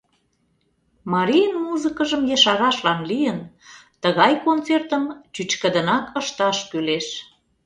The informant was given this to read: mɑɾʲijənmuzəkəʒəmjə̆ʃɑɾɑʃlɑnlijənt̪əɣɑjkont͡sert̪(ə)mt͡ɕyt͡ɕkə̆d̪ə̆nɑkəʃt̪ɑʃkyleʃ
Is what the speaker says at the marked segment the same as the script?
yes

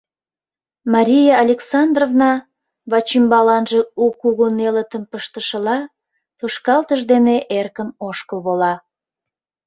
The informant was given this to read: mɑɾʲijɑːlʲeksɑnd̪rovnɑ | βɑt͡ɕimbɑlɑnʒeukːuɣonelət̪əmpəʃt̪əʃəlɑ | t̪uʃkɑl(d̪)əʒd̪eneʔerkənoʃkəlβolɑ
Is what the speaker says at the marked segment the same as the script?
no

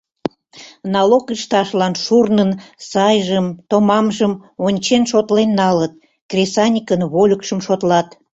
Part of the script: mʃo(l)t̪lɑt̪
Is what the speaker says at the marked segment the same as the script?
no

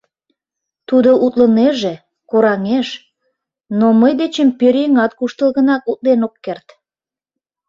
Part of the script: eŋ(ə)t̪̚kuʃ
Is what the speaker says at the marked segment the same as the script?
no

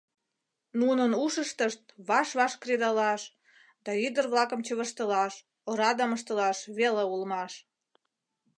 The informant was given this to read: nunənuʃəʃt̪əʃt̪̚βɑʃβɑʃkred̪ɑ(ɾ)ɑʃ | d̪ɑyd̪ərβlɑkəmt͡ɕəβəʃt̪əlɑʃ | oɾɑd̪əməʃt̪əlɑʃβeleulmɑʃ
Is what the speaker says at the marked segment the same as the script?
no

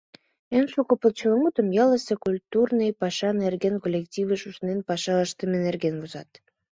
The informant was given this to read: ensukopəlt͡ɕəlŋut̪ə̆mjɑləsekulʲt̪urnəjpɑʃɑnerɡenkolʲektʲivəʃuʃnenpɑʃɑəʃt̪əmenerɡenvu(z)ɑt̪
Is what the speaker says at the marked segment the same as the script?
yes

